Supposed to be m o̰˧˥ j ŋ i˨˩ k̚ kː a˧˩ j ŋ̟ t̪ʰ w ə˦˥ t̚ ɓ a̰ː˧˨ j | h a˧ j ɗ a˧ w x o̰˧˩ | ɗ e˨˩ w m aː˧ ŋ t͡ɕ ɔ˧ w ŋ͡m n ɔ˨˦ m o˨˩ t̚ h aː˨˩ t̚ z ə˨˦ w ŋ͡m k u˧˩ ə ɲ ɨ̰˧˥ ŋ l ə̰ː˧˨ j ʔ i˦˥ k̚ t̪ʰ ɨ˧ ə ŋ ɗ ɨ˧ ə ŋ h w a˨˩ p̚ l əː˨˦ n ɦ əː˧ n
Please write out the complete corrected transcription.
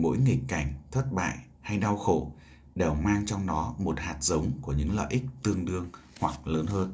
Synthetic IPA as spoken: m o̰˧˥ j ŋ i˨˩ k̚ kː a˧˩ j ŋ̟ t̪ʰ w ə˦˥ t̚ ɓ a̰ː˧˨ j | h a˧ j ɗ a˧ w x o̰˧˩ | ɗ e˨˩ w m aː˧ ŋ t͡ɕ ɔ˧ w ŋ͡m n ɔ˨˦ m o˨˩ t̚ h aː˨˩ t̚ z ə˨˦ w ŋ͡m k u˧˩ ə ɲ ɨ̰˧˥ ŋ l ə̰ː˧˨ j ʔ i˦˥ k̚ t̪ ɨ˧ ə ŋ ɗ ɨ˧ ə ŋ h w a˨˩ k̚ l əː˨˦ n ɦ əː˧ n